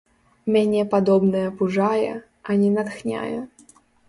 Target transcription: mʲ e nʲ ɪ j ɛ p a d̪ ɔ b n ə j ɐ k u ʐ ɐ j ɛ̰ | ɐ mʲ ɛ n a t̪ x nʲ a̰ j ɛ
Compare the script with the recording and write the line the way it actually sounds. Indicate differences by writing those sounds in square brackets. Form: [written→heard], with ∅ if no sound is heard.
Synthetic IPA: mʲ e nʲ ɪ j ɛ p a d̪ ɔ b n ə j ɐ [k→p] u ʐ [ɐ→a] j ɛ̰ | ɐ [mʲ→nʲ] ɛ n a t̪ x nʲ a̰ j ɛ